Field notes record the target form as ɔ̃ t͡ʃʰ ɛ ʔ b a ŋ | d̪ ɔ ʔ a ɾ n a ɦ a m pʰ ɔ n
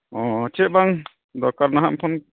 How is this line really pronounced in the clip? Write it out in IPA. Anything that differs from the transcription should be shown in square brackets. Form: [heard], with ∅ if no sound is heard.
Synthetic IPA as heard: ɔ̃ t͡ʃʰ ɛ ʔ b a ŋ | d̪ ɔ [k] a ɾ n a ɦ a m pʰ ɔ n